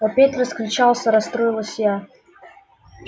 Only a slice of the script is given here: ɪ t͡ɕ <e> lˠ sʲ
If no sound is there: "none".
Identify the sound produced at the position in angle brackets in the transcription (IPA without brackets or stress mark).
a